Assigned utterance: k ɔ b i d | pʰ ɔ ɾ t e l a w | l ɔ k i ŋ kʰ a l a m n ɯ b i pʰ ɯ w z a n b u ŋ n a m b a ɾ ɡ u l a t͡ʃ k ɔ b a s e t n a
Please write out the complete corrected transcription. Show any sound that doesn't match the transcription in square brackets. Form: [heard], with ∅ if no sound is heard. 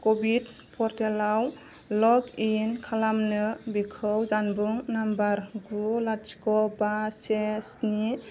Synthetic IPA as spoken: k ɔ b i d | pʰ ɔ ɾ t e l a w | l ɔ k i [n] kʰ a l a m n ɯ b i [kʰ] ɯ w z a n b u ŋ n a m b a ɾ ɡ u l a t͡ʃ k ɔ b a s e [s] n [i]